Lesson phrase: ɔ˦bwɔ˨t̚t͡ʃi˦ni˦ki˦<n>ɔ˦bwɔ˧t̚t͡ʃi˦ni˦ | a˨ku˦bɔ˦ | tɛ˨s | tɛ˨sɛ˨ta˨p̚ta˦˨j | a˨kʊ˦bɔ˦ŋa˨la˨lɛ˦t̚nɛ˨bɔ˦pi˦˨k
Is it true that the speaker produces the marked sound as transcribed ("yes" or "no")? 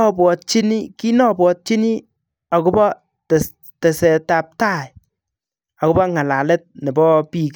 yes